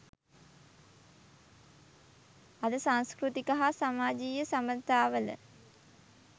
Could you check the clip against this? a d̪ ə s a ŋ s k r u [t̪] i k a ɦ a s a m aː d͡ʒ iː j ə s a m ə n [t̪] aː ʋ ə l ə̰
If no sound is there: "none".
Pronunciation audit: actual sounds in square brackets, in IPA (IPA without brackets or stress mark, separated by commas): t̪, t̪